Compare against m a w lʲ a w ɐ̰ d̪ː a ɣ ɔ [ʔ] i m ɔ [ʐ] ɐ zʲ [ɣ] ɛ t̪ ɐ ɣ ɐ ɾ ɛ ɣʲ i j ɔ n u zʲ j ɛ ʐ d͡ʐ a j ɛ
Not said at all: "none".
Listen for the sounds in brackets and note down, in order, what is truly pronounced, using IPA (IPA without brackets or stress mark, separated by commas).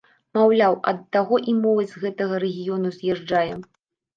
ʔ, v, ɣ